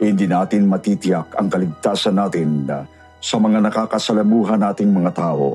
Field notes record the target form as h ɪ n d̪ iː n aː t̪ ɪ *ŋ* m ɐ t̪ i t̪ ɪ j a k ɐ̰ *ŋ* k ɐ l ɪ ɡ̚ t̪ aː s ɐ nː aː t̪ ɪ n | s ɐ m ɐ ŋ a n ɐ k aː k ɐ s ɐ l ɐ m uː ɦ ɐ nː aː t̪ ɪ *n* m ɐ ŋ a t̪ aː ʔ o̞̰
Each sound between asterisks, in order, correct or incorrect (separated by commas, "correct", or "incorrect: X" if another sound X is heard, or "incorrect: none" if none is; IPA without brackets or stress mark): incorrect: n, correct, incorrect: ŋ